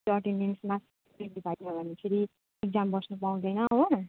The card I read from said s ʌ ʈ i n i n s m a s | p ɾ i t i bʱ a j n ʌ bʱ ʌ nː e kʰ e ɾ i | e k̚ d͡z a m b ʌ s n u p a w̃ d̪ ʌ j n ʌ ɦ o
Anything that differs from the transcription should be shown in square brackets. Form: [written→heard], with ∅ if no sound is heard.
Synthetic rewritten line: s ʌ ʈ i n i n s m a s | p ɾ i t i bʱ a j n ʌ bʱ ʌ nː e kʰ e ɾ i | e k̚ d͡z a m b ʌ s n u p a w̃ d̪ ʌ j n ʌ ɦ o